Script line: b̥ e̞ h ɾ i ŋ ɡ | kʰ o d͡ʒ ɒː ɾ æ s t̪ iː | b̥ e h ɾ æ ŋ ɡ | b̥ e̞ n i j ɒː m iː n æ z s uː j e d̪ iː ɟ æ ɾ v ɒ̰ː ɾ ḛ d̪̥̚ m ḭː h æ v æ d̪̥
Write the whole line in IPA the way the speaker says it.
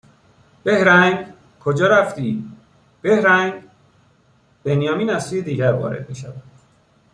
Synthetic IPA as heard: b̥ e̞ h ɾ æ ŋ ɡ | kʰ o d͡ʒ ɒː ɾ æ f t̪ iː | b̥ e h ɾ æ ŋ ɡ | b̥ e̞ n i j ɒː m iː n æ z s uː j e d̪ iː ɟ æ ɾ v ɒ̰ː ɾ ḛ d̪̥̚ m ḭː ʃ æ v æ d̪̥